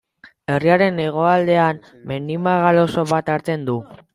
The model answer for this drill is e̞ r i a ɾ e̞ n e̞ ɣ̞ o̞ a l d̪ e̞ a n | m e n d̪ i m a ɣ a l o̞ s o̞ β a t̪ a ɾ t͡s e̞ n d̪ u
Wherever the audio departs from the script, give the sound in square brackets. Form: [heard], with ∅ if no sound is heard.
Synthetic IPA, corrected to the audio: e̞ r i a ɾ e̞ n e̞ ɣ̞ o̞ a l d̪ e̞ a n | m e n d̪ i m a ɣ a l o̞ s o̞ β a t̪ a ɾ t͡s e̞ n d̪ u